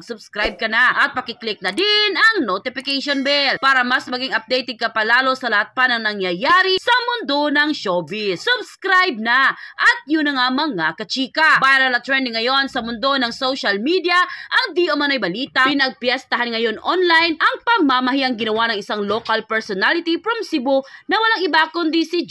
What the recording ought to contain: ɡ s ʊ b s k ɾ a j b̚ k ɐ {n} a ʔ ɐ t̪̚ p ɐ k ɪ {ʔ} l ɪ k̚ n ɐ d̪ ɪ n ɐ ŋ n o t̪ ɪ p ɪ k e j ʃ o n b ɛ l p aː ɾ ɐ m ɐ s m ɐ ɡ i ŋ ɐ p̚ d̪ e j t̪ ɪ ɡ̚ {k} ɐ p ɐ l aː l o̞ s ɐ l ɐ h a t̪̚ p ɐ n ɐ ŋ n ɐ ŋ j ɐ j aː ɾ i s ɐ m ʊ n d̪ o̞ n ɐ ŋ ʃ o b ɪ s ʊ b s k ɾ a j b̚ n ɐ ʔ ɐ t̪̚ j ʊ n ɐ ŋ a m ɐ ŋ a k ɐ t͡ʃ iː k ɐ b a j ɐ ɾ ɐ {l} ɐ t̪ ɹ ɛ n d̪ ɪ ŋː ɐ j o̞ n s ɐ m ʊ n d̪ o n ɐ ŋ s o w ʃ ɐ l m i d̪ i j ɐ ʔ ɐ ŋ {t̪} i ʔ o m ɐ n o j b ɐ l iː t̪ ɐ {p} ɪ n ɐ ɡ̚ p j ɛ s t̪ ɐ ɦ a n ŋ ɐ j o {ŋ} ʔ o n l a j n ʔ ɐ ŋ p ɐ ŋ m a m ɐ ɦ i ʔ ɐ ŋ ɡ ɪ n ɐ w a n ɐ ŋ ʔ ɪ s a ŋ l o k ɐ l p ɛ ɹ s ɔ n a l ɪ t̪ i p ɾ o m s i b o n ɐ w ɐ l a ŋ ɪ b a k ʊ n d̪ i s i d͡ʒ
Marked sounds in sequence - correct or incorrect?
correct, incorrect, correct, correct, incorrect, correct, incorrect

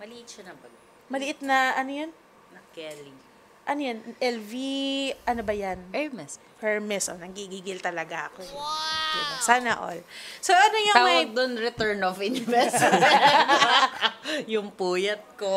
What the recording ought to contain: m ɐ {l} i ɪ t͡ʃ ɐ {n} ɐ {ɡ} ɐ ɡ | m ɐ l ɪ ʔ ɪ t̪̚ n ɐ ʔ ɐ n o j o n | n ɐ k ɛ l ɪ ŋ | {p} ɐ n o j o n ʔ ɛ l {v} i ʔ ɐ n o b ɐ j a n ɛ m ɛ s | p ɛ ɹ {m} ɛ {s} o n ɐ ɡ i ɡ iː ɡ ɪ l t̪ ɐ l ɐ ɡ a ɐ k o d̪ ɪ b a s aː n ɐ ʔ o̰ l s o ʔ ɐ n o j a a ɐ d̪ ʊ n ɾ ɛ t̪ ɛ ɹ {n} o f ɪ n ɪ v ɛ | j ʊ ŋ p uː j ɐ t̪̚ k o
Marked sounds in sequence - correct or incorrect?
correct, correct, incorrect, incorrect, correct, correct, correct, correct

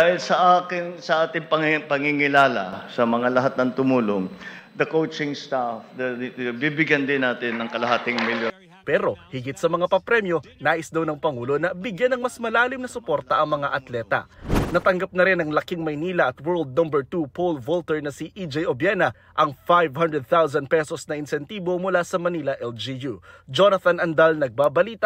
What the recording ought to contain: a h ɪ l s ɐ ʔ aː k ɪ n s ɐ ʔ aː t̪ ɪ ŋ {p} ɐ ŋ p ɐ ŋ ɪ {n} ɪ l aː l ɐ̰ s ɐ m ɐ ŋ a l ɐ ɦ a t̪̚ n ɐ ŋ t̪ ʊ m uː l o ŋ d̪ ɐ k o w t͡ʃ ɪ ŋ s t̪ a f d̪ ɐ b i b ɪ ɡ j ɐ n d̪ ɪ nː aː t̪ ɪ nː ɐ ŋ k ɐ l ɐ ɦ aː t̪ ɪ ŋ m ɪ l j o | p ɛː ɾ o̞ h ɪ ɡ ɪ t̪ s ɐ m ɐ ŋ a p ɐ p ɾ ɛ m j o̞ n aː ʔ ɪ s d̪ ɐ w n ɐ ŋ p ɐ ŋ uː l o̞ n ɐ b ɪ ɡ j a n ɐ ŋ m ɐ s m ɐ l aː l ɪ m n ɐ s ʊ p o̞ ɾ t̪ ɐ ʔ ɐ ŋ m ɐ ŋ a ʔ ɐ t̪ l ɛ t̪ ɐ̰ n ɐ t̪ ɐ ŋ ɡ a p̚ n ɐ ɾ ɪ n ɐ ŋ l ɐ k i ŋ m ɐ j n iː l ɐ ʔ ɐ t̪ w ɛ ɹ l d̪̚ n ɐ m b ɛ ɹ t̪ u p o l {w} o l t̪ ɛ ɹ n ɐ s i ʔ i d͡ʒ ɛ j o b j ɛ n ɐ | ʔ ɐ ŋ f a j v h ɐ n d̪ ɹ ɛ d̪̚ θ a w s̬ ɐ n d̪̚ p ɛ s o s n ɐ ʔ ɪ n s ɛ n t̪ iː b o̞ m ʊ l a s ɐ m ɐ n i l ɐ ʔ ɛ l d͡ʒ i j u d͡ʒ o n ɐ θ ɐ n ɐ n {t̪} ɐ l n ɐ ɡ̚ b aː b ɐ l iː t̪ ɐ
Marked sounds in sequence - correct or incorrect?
correct, incorrect, incorrect, incorrect

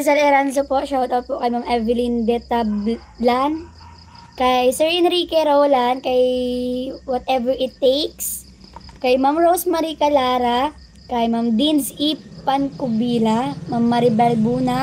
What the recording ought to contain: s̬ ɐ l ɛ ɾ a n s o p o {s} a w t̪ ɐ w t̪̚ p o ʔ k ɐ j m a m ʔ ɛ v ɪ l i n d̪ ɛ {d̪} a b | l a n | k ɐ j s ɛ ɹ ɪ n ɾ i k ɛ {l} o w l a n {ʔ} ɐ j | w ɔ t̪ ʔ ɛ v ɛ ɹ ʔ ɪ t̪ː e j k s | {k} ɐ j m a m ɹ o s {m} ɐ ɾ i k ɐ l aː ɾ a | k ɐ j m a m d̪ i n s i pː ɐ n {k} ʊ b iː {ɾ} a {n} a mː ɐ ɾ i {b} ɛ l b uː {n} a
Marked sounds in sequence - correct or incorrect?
incorrect, incorrect, incorrect, incorrect, correct, correct, correct, incorrect, incorrect, correct, correct

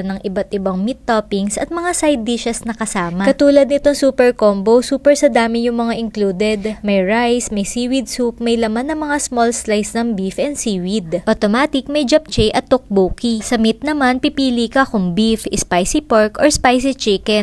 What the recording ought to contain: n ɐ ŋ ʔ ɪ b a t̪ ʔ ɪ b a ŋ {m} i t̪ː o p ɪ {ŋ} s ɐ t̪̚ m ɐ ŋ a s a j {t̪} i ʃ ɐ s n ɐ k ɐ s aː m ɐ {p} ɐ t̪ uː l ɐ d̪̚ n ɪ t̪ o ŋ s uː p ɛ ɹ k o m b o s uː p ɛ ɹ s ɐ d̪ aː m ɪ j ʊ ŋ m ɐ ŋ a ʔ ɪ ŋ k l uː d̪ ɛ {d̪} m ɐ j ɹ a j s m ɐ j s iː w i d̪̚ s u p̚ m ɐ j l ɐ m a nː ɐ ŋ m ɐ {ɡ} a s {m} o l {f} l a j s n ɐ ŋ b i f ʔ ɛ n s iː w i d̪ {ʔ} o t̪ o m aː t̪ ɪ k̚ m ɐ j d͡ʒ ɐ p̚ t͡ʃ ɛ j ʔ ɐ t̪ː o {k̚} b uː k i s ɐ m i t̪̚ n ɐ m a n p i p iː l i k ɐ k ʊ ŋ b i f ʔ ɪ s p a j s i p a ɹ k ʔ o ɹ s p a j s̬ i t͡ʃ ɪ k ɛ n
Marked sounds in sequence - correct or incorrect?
correct, correct, incorrect, incorrect, correct, incorrect, correct, incorrect, correct, correct

